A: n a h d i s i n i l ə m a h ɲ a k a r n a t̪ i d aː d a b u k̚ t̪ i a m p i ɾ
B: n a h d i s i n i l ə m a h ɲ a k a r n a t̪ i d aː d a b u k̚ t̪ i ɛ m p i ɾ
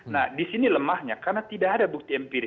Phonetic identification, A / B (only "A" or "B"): B